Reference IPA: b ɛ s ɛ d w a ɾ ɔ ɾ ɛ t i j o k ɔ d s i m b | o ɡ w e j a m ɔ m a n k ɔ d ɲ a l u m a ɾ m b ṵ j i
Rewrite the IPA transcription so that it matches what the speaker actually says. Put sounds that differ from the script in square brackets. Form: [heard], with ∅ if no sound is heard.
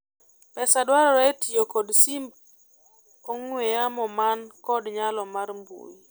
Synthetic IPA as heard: [p] ɛ s [a] d w a ɾ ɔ ɾ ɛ t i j o k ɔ d s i m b | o [ŋ] w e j a m ɔ m a n k ɔ d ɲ a l [ɔ] m a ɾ m b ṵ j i

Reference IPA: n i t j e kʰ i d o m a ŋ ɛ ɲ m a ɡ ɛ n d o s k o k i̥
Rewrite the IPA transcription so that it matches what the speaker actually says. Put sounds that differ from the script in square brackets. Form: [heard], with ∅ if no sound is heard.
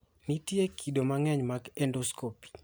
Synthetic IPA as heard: n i t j e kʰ i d o m a ŋ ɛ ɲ m a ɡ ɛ n d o s k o [p] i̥

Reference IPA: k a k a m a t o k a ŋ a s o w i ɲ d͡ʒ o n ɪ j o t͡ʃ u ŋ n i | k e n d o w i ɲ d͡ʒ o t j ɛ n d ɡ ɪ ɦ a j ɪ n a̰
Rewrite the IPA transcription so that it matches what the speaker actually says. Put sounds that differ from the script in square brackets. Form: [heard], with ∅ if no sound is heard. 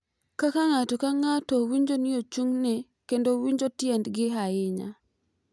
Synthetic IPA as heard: k a k a [ŋ] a t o k a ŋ a [t] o w i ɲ d͡ʒ o n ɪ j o t͡ʃ u ŋ n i | k e n d o w i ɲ d͡ʒ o t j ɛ n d ɡ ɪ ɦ a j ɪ [ɲ] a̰

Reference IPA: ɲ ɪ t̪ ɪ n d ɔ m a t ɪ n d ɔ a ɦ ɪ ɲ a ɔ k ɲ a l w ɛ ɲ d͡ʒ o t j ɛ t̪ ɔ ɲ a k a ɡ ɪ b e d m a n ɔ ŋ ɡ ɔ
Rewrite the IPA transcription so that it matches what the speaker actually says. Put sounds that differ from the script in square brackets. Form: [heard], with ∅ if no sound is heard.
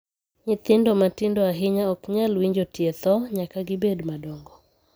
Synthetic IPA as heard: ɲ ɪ t̪ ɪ n d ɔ m a t ɪ n d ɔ a ɦ ɪ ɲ a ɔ k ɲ a l w [i] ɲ d͡ʒ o t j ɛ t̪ ɔ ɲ a k a ɡ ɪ b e d m a [d] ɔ ŋ ɡ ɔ

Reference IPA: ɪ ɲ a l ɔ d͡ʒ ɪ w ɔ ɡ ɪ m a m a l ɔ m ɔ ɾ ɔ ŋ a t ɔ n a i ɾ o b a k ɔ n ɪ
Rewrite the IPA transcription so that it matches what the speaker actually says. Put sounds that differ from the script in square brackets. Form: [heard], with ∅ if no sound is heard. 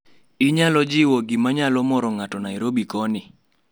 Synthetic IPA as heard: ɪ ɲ a l ɔ d͡ʒ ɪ w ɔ ɡ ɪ m a [ɲ] a l ɔ m ɔ ɾ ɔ ŋ a t ɔ n a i ɾ o b [i] k ɔ n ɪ

